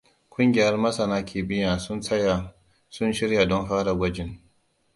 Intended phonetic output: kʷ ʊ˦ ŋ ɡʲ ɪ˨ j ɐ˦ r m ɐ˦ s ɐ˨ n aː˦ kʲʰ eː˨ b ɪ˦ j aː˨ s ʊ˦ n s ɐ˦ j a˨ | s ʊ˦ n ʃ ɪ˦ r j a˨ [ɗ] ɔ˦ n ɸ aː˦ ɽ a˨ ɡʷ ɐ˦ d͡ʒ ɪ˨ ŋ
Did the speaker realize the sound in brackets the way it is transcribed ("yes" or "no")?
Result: no